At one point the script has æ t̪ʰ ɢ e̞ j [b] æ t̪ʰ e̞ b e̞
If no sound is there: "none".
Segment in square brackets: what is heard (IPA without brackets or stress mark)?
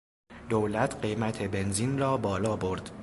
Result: m